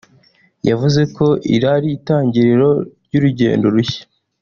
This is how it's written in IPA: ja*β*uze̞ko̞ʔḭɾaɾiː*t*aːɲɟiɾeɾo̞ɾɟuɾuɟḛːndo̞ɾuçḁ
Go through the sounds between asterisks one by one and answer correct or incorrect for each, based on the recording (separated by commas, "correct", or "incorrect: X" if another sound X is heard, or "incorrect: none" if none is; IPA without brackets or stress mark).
incorrect: v, correct